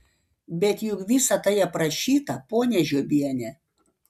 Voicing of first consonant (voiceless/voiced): voiced